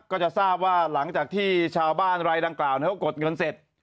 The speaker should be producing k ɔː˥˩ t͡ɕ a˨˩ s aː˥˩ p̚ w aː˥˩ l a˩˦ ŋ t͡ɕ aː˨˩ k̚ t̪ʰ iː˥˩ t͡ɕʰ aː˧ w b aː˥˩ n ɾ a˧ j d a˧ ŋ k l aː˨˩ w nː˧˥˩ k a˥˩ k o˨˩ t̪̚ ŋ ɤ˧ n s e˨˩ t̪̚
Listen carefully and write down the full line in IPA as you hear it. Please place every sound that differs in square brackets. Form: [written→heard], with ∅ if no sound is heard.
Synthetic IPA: k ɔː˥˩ t͡ɕ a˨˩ s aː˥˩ p̚ w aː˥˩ l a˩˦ ŋ t͡ɕ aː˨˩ k̚ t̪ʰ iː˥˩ t͡ɕʰ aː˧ w b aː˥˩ n ɾ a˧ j d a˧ ŋ k l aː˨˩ w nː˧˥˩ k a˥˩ k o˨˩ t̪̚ ŋ ɤ˧ n s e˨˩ t̪̚

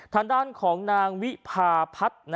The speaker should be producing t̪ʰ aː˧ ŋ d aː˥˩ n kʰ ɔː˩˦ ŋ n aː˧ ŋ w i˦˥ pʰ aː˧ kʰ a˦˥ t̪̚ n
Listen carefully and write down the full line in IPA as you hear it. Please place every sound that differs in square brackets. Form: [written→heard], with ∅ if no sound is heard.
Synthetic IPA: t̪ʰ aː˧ ŋ d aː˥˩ n kʰ ɔː˩˦ ŋ n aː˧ ŋ w i˦˥ pʰ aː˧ [kʰ→pʰ] a˦˥ t̪̚ n

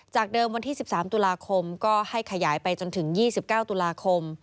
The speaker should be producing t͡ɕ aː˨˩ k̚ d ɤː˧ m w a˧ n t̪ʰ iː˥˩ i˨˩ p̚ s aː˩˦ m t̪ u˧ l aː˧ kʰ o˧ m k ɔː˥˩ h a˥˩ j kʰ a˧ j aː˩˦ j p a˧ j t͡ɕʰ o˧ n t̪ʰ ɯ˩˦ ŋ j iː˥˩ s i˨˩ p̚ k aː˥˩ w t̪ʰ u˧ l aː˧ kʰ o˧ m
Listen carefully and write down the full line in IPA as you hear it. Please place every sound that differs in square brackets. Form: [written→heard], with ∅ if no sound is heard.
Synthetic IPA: t͡ɕ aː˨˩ k̚ d ɤː˧ m w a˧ n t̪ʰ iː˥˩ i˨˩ p̚ s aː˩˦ m t̪ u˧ l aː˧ kʰ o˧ m k ɔː˥˩ h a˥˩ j kʰ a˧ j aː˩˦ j p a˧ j [t͡ɕʰ→t͡ɕ] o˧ n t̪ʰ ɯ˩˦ ŋ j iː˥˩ s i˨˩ p̚ k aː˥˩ w [t̪ʰ→t̪] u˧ l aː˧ kʰ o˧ m

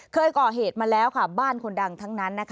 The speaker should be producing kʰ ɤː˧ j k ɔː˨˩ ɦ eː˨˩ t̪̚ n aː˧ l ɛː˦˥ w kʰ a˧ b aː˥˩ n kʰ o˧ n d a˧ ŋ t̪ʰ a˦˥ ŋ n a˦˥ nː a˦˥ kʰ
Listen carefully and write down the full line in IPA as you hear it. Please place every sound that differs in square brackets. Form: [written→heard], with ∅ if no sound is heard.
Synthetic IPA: kʰ ɤː˧ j k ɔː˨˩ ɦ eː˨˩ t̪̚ [n→m] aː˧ l ɛː˦˥ w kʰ [a˧→a˥˩] b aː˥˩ n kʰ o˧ n d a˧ ŋ t̪ʰ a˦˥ ŋ n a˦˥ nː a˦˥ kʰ

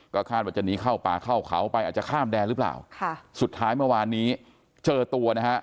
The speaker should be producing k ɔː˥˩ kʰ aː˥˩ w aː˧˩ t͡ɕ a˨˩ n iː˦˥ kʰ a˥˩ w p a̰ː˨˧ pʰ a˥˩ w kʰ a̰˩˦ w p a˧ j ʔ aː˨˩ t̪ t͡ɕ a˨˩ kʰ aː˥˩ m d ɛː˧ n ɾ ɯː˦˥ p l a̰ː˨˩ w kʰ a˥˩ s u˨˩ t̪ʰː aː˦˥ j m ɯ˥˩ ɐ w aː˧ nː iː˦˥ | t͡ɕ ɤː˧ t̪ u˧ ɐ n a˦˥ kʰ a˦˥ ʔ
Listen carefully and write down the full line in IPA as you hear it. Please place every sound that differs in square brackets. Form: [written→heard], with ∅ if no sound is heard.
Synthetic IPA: k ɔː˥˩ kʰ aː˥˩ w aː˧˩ t͡ɕ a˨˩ n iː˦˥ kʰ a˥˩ w p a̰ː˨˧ [pʰ→kʰ] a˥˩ w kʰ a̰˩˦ w p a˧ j ʔ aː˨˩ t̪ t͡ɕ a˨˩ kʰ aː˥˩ m d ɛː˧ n ɾ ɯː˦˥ p l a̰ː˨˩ w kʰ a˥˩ s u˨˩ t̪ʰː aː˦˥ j m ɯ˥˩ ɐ w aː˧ nː iː˦˥ | t͡ɕ ɤː˧ t̪ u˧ ɐ n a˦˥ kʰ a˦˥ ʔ

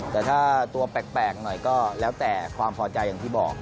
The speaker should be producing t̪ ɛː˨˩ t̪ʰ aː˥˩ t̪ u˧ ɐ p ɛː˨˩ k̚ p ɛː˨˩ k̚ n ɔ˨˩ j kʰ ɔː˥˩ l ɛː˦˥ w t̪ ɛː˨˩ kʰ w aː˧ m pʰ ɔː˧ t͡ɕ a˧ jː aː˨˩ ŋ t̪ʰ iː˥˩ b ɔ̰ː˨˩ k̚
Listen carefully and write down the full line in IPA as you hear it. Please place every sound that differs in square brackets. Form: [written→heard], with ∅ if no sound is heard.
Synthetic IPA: t̪ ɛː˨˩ t̪ʰ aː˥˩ t̪ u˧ ɐ p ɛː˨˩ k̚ p ɛː˨˩ k̚ n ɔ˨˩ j [kʰ→k] ɔː˥˩ l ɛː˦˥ w t̪ ɛː˨˩ kʰ w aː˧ m pʰ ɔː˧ t͡ɕ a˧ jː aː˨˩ ŋ t̪ʰ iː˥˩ b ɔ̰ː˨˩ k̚

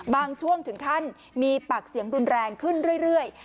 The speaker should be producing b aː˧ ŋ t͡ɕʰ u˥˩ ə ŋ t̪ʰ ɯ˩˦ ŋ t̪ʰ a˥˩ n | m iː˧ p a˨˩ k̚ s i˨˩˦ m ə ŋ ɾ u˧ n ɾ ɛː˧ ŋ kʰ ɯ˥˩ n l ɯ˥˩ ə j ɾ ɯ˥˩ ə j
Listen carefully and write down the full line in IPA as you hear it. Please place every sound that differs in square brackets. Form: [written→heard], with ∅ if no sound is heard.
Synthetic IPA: b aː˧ ŋ t͡ɕʰ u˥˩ ə ŋ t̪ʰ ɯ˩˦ ŋ t̪ʰ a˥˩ n | m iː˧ p a˨˩ k̚ s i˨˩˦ [m→∅] ə ŋ ɾ u˧ n ɾ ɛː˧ ŋ kʰ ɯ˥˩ n [l→ɾ] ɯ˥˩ ə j ɾ ɯ˥˩ ə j

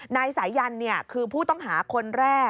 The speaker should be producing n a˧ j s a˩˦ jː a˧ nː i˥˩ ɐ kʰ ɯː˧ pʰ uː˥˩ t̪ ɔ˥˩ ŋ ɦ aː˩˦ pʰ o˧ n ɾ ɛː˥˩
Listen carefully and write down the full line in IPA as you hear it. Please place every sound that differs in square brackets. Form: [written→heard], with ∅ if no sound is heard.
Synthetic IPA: n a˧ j s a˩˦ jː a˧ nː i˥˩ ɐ kʰ ɯː˧ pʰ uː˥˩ t̪ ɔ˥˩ ŋ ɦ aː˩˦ [pʰ→kʰ] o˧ n ɾ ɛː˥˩

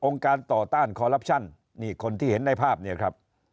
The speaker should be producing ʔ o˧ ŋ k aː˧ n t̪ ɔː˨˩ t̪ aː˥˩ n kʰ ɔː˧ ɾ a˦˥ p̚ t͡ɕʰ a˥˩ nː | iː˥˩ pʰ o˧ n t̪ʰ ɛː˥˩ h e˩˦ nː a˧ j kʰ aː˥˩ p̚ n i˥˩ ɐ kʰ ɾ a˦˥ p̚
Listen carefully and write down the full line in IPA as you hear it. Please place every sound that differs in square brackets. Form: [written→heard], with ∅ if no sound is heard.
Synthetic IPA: ʔ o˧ ŋ k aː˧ n t̪ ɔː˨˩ t̪ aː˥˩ n kʰ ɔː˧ ɾ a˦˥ p̚ t͡ɕʰ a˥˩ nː | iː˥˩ [pʰ→kʰ] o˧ n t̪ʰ [ɛː˥˩→iː˥˩] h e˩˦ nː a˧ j [kʰ→pʰ] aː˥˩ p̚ n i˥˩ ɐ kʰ ɾ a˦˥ p̚

